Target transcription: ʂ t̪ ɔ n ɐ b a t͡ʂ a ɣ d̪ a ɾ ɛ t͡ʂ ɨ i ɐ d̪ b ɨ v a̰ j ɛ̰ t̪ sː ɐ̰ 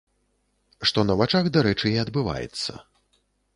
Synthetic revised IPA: ʂ t̪ ɔ n ɐ v a t͡ʂ a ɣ d̪ a ɾ ɛ t͡ʂ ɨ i ɐ d̪ b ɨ v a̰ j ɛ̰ t̪ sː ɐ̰